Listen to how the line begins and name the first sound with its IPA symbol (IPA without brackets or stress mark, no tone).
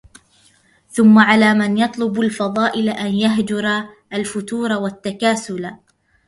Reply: θ